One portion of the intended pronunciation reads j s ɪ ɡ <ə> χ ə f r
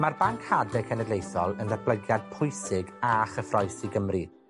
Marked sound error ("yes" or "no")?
yes